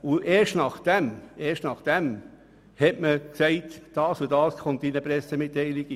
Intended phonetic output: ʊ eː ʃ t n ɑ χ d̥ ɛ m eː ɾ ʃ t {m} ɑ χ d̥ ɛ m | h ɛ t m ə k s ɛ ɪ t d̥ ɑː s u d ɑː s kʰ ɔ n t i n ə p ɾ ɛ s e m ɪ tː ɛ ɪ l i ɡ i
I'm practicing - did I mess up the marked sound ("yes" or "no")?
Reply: yes